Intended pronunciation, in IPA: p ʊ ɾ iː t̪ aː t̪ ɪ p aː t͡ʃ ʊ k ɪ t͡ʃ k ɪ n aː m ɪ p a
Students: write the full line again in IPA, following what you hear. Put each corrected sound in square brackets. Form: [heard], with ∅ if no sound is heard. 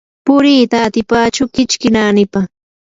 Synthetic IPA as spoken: p ʊ ɾ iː t̪ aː t̪ ɪ p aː t͡ʃ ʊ k ɪ t͡ʃ k ɪ n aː [n] ɪ p a